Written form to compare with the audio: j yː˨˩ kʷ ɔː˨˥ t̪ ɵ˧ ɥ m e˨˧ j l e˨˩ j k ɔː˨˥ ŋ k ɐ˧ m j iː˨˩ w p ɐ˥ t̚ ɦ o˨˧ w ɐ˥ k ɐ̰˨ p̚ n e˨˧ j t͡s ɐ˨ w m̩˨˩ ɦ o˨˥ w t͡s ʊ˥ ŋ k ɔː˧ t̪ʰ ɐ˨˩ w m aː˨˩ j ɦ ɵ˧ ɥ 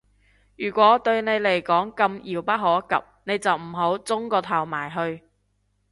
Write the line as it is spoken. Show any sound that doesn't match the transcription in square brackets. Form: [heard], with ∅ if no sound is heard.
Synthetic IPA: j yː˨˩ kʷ ɔː˨˥ t̪ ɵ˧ ɥ [n] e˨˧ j l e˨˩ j k ɔː˨˥ ŋ k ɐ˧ m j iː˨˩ w p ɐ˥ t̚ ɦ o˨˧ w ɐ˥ k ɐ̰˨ p̚ n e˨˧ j t͡s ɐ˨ w m̩˨˩ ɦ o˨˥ w t͡s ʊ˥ ŋ k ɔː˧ t̪ʰ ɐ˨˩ w m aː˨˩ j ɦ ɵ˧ ɥ